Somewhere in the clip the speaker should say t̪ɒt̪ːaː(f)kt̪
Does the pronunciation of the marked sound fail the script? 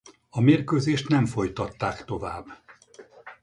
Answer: yes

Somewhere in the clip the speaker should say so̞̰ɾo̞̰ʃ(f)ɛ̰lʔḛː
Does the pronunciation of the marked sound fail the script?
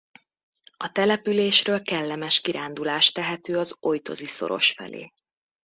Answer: no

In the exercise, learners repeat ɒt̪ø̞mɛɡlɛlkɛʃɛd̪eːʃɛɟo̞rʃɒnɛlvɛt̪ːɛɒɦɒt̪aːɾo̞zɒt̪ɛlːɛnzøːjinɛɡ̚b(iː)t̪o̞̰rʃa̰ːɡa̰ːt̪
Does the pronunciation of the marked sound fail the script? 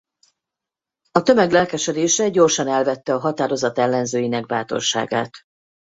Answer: yes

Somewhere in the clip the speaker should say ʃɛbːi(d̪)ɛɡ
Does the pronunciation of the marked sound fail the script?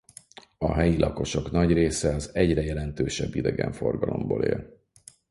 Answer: no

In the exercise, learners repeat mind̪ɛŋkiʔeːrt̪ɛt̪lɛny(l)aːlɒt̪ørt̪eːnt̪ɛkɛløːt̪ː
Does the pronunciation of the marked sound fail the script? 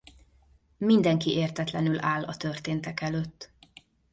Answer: no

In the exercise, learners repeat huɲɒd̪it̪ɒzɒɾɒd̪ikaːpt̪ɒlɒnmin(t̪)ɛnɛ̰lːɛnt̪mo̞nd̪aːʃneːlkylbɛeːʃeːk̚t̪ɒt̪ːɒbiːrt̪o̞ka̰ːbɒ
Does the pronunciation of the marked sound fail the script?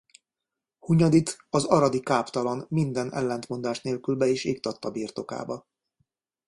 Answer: yes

